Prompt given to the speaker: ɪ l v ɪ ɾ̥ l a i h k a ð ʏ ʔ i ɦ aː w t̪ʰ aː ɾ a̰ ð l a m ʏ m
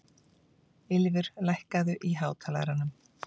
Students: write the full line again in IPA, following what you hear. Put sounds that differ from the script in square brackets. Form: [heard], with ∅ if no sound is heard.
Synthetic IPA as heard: ɪ l v ɪ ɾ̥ l a [j] h k a ð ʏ ʔ i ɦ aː w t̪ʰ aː [l] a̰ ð [ɾ] a [n] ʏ m